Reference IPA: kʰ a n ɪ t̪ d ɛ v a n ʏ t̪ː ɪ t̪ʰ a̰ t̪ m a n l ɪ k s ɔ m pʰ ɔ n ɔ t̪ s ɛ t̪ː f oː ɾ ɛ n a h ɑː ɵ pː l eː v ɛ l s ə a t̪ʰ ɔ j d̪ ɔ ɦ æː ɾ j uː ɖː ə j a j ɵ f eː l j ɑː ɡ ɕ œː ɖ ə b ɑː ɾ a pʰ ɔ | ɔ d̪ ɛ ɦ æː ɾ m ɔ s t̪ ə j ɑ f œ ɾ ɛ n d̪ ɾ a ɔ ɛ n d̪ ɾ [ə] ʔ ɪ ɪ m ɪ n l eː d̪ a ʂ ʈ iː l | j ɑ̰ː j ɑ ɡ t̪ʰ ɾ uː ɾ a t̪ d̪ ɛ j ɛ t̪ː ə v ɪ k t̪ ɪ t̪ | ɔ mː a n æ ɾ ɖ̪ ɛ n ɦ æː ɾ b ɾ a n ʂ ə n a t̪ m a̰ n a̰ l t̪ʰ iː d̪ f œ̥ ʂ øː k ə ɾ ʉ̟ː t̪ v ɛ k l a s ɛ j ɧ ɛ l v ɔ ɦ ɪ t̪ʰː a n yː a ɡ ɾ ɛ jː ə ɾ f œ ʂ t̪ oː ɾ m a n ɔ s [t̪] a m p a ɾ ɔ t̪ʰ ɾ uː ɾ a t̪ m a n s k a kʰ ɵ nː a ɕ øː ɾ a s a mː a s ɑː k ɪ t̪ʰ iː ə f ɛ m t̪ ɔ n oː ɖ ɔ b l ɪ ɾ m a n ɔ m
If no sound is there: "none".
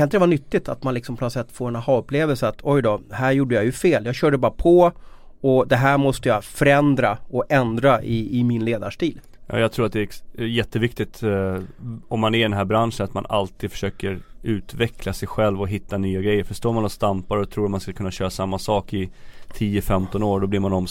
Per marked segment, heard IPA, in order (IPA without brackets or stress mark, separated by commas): a, t̪